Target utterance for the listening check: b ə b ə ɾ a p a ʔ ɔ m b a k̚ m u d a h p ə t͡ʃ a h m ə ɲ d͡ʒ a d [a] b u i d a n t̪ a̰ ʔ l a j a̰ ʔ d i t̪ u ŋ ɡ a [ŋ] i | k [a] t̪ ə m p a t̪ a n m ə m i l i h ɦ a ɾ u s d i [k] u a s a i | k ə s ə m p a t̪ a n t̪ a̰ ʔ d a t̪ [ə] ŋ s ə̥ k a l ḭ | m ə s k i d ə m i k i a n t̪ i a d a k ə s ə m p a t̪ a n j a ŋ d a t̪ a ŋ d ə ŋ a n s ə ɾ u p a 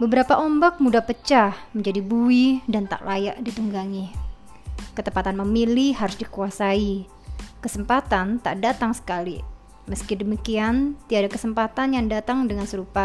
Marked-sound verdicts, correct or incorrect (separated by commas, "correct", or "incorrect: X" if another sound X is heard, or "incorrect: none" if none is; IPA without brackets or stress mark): incorrect: i, correct, incorrect: ə, correct, incorrect: a